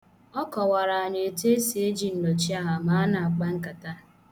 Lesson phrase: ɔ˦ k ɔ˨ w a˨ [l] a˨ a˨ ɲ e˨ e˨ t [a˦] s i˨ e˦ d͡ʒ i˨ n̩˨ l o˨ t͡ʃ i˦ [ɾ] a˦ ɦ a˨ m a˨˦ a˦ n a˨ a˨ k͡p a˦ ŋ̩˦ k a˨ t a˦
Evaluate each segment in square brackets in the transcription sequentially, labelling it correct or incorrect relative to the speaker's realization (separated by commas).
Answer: incorrect, incorrect, incorrect